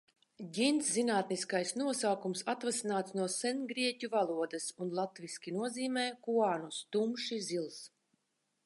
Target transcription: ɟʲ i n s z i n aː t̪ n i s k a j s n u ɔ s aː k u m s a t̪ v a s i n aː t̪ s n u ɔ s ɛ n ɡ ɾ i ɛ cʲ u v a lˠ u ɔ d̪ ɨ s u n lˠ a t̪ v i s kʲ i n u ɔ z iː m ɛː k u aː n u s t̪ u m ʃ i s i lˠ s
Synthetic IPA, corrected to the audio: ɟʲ i n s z i n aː t̪ n i s k a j s n u ɔ s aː k u m s a t̪ v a s i n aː t̪ s n u ɔ s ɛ n ɡ ɾ i ɛ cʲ u v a lˠ u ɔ d̪ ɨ s u n lˠ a t̪ v i s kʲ i n u ɔ z iː m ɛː k u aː n u s t̪ u m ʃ i z i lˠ s